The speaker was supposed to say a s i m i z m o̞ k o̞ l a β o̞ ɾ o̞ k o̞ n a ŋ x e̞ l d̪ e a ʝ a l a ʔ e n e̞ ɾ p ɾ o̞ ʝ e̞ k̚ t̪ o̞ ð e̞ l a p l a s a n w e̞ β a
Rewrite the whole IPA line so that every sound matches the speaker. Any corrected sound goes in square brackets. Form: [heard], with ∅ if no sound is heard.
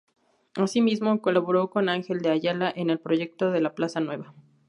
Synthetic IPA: a s i m i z m o̞ k o̞ l a β o̞ ɾ o̞ k o̞ n a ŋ x e̞ l d̪ e a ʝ a l a ʔ e n e̞ [l] p ɾ o̞ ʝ e̞ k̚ t̪ o̞ ð e̞ l a p l a s a n w e̞ β a